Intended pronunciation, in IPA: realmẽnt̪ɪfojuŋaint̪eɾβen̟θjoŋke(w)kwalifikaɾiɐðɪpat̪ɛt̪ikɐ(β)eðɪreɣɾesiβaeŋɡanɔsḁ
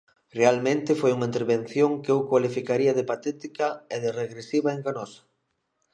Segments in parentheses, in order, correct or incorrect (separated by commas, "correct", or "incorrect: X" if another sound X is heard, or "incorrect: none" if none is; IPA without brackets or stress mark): correct, incorrect: none